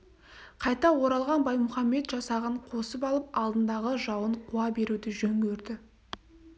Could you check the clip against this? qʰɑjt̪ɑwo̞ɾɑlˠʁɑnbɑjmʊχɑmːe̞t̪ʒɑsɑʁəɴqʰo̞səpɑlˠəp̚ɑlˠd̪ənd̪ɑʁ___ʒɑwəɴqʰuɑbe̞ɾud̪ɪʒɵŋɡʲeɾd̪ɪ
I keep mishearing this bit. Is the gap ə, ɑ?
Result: ə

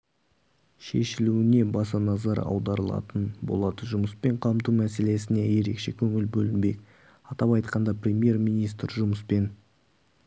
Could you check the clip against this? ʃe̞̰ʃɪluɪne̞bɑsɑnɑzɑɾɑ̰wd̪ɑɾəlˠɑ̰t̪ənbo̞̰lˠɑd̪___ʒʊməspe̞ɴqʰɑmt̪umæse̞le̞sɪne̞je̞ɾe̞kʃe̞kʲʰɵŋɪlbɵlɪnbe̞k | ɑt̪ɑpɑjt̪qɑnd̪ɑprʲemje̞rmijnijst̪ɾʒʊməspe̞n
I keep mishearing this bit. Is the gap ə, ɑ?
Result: ə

